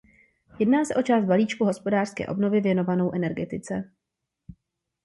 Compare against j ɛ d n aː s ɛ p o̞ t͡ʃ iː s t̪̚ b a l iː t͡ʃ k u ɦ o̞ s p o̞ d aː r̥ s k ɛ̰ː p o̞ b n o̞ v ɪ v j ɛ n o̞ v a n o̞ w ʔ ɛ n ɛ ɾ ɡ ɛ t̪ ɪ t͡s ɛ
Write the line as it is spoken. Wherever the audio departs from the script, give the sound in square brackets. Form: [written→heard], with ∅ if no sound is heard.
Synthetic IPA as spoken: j ɛ d n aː s ɛ [p→ʔ] o̞ t͡ʃ [iː→aː] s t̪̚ b a l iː t͡ʃ k u ɦ o̞ s p o̞ d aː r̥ s k ɛ̰ː [p→ʔ] o̞ b n o̞ v ɪ v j ɛ n o̞ v a n o̞ w ʔ ɛ n ɛ ɾ ɡ ɛ t̪ ɪ t͡s ɛ

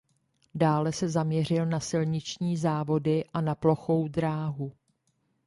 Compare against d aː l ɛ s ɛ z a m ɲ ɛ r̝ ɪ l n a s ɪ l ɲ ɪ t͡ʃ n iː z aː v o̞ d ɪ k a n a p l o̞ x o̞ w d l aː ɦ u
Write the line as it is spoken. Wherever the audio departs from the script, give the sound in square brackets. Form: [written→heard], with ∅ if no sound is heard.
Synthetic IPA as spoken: d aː l ɛ s ɛ z a m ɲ ɛ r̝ ɪ l n a s ɪ l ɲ ɪ t͡ʃ [n→ɲ] iː z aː v o̞ d ɪ [k→ʔ] a n a p l o̞ x o̞ w d [l→ɾ] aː ɦ u

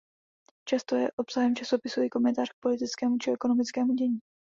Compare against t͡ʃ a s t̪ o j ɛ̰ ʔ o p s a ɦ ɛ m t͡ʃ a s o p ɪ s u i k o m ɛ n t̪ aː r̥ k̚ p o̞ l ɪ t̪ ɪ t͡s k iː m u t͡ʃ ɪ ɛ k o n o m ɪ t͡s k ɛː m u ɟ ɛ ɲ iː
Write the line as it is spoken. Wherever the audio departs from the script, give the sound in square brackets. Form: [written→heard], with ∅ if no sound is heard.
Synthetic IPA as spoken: t͡ʃ a s t̪ o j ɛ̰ ʔ o p s a ɦ ɛ m t͡ʃ a s o p ɪ s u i k o m ɛ n t̪ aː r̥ k̚ p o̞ l ɪ t̪ ɪ t͡s k [iː→ɛː] m u t͡ʃ ɪ ɛ k o n o m ɪ t͡s k ɛː m u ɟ ɛ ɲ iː

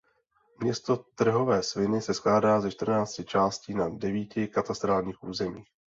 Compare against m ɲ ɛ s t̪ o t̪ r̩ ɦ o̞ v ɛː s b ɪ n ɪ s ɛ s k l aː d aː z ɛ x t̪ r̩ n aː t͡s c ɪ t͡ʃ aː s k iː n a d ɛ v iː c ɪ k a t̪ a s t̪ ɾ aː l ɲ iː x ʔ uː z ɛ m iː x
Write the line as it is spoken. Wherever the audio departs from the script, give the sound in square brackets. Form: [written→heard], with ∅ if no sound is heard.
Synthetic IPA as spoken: m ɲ ɛ s t̪ o t̪ r̩ ɦ o̞ v ɛː s [b→v] ɪ n ɪ s ɛ s k l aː d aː z ɛ [x→ʃ] t̪ r̩ n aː t͡s c ɪ t͡ʃ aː s [k→c] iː n a d ɛ v iː c ɪ k a t̪ a s t̪ ɾ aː l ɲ iː x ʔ uː z ɛ m iː x

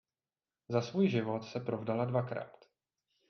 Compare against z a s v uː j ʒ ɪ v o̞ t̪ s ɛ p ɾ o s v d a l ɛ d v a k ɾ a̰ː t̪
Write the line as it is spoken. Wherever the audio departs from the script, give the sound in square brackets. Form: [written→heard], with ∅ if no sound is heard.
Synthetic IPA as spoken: z a s v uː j ʒ ɪ v o̞ t̪ s ɛ p ɾ o [s→∅] v d a l [ɛ→a] d v a k ɾ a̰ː t̪

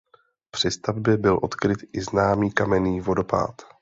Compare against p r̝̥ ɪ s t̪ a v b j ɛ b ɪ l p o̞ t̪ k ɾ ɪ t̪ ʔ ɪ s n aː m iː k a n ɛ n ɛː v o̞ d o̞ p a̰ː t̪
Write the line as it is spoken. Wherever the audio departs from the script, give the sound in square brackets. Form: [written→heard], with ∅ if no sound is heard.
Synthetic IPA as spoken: p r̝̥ ɪ s t̪ a v b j ɛ b ɪ l [p→ʔ] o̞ t̪ k ɾ ɪ t̪ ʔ ɪ [s→z] n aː m iː k a [n→m] ɛ n [ɛː→iː] v o̞ d o̞ p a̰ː t̪

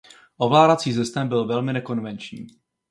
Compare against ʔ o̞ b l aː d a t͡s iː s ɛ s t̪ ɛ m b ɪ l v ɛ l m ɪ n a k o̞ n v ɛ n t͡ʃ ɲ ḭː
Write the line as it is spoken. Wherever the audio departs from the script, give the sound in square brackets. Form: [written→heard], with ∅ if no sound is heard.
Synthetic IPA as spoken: ʔ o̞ [b→v] l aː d a t͡s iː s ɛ s t̪ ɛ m b ɪ l v ɛ l m ɪ n [a→ɛ] k o̞ n v ɛ n t͡ʃ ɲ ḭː

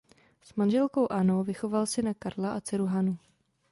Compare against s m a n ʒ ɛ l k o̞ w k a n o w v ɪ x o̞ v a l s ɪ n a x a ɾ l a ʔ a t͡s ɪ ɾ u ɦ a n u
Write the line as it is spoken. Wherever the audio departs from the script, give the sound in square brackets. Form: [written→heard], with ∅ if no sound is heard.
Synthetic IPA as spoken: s m a n ʒ ɛ l k o̞ w [k→ʔ] a n o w v ɪ x o̞ v a l s ɪ n a [x→k] a ɾ l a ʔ a t͡s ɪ ɾ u ɦ a n u

